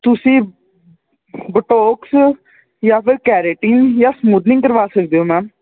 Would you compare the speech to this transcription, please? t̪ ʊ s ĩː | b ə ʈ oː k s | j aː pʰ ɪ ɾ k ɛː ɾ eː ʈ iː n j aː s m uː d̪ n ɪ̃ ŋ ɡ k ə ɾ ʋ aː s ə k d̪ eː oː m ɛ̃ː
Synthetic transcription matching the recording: t̪ ʊ s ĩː | b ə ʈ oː k s | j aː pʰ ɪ ɾ k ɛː ɾ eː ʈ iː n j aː s m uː d̪ n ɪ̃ ŋ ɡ k ə ɾ ʋ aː s ə k d̪ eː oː m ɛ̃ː